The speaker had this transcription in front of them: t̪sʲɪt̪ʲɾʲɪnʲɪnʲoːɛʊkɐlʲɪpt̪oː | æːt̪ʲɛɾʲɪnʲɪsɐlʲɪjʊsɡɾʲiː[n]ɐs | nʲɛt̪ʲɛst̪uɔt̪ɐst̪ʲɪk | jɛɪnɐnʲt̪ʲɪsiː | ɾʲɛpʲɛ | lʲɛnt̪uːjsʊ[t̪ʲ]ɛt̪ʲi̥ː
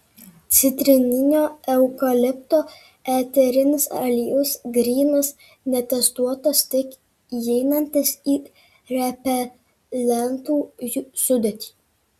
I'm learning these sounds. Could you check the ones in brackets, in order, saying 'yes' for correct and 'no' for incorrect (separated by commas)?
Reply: yes, no